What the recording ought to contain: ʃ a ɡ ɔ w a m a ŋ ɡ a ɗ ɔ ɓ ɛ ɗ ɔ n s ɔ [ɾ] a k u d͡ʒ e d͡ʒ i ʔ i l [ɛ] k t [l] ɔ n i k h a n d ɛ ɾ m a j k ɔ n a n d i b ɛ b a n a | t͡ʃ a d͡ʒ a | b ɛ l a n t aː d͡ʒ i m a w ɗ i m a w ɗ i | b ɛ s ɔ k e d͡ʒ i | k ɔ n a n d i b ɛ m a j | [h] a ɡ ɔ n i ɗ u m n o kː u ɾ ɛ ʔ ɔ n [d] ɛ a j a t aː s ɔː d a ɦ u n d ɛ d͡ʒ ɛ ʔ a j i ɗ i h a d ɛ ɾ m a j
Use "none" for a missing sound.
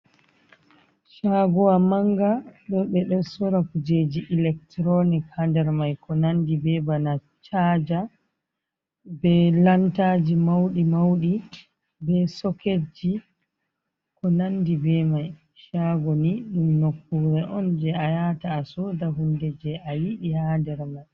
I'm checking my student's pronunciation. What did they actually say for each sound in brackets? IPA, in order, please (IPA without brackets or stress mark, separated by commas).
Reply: ɾ, ɛ, ɾ, ʃ, d͡ʒ